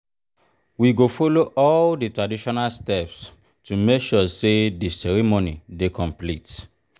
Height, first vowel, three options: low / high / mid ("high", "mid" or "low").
high